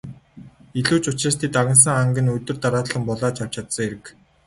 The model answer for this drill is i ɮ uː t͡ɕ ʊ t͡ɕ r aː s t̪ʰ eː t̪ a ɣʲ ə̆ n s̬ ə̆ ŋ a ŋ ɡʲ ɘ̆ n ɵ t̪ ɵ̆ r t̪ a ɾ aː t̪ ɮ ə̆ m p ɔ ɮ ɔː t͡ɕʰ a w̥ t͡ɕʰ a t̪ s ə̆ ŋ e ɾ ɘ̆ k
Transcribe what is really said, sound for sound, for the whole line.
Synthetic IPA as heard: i ɮ uː t͡ɕ ʊ t͡ɕ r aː s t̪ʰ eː t̪ a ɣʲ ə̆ n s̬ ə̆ ŋ a ŋ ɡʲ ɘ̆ n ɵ t̪ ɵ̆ r t̪ a ɾ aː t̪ ɮ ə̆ m p ɔ ɮ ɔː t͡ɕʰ a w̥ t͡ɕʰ a t̪ s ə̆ ŋ e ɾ ɘ̆ k